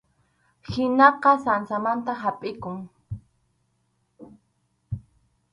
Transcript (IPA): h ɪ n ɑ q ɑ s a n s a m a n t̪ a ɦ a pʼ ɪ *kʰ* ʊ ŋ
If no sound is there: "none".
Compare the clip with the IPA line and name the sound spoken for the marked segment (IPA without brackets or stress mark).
k